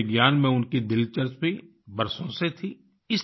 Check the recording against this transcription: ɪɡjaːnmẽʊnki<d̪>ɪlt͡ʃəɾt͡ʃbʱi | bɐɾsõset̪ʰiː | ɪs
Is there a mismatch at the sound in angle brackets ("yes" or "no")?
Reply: no